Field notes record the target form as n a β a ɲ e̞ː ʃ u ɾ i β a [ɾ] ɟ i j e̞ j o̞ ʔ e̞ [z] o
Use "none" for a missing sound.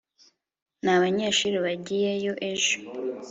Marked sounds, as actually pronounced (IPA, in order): none, ʒ

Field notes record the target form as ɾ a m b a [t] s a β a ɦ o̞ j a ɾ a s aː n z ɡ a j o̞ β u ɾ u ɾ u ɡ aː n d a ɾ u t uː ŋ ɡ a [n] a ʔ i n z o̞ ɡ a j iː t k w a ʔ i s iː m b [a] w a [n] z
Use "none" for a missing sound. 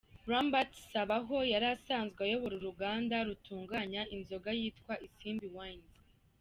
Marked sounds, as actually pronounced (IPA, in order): t, ɲ, i, n

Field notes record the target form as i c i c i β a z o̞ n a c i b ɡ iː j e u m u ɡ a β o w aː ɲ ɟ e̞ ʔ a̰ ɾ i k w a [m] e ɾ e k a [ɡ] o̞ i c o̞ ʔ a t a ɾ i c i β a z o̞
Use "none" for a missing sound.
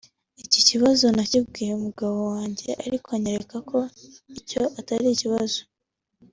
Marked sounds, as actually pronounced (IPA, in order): ɲ, k

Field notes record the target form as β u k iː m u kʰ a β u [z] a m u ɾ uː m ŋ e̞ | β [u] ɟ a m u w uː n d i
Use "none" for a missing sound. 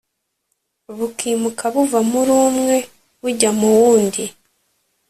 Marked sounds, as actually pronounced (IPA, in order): v, u

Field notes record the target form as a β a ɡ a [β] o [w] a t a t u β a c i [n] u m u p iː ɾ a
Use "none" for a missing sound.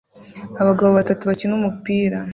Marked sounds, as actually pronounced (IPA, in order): β, β, n

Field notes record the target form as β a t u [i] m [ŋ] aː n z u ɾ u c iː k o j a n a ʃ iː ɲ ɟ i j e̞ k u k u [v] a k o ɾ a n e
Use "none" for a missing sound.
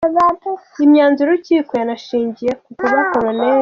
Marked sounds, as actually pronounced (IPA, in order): i, ɲ, β

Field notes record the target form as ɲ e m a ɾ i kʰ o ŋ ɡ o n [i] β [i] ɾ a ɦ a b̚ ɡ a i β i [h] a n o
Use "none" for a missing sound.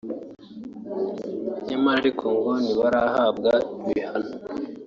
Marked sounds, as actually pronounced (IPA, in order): i, a, h

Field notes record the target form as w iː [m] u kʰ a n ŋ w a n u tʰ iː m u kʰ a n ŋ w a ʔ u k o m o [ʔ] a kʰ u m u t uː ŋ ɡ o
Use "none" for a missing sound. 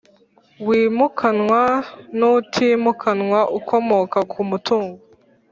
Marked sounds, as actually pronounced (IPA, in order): m, k

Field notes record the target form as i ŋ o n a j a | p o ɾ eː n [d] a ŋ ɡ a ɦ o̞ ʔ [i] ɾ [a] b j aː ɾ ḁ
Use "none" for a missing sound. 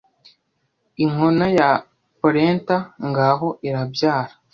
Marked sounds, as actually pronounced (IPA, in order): t, i, a

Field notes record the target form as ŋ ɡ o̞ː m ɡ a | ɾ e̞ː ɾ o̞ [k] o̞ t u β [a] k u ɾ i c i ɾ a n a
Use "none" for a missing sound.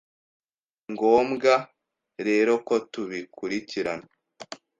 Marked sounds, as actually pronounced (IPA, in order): k, i

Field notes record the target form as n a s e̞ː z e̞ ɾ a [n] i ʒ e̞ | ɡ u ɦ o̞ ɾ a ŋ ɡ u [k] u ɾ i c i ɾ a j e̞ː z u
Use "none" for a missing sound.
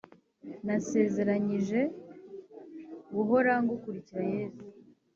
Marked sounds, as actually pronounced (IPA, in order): ɲ, k

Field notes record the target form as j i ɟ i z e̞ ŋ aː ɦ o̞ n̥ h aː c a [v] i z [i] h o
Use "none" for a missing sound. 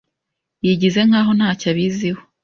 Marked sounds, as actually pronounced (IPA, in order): β, i

